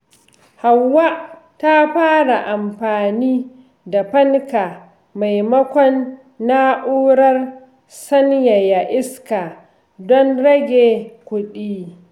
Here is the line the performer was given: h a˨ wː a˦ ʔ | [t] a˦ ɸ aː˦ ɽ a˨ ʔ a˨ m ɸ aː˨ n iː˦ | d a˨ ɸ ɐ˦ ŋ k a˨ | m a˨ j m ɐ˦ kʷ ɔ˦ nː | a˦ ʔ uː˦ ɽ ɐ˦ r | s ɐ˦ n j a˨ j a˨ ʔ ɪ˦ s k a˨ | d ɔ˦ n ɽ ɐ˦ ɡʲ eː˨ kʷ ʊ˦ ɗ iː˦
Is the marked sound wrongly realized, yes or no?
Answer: no